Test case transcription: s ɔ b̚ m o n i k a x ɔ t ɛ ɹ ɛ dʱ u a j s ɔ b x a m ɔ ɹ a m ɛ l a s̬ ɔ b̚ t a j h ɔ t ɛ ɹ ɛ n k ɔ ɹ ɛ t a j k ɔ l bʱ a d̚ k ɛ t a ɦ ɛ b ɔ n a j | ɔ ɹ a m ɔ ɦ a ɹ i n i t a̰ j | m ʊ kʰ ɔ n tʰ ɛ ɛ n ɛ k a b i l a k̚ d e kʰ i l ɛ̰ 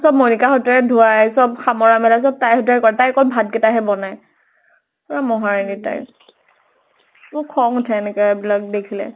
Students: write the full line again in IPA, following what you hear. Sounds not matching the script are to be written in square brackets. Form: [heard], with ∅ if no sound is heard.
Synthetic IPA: s ɔ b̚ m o n i k a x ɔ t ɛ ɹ ɛ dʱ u a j s ɔ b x a m ɔ ɹ a m ɛ l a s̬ ɔ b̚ t a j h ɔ t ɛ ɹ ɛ [∅] k ɔ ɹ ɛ t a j k ɔ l bʱ a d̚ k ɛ t a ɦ ɛ b ɔ n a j | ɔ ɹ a m ɔ ɦ a ɹ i n i t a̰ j | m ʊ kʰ ɔ [ŋ] tʰ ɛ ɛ n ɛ k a b i l a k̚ d e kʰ i l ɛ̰